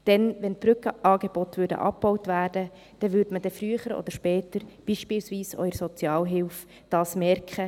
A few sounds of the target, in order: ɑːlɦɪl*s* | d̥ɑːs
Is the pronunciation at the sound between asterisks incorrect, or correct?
incorrect: f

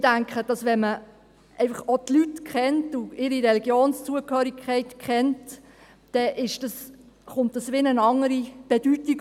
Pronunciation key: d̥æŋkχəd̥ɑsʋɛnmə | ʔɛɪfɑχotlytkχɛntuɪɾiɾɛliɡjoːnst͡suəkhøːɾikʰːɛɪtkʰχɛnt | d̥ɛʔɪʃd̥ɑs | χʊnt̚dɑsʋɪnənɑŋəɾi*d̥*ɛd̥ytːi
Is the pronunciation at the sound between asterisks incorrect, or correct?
incorrect: b̥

